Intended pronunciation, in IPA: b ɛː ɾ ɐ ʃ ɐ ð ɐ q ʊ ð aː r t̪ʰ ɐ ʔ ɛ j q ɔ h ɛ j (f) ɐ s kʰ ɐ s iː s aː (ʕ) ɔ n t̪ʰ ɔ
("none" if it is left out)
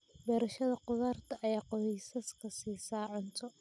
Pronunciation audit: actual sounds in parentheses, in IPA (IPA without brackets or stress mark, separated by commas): s, ʕ